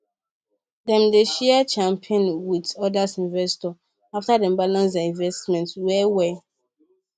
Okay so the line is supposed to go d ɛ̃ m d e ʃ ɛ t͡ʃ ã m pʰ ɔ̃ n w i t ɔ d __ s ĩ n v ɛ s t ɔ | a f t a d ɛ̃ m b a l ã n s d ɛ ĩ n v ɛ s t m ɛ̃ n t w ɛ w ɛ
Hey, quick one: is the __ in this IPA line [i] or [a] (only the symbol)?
a